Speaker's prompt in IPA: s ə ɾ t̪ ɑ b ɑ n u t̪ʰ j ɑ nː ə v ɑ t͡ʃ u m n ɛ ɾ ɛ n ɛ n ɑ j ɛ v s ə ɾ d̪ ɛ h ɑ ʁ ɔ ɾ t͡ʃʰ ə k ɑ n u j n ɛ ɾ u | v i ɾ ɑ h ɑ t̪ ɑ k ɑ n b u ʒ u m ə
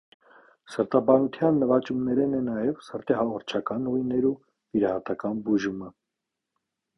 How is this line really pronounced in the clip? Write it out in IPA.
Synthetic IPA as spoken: s ə ɾ t̪ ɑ b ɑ n u t̪ʰ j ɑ nː ə v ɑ t͡ʃ u m n ɛ ɾ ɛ n ɛ n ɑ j ɛ v s ə ɾ t̪ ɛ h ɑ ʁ ɔ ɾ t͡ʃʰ ɑ k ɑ n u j n ɛ ɾ u | v i ɾ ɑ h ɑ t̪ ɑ k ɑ n b u ʒ u m ə